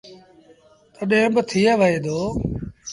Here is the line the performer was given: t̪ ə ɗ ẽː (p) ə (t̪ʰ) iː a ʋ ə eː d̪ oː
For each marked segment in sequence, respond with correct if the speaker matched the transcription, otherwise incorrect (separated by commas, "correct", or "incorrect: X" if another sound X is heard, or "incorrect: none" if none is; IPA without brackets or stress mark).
incorrect: b, correct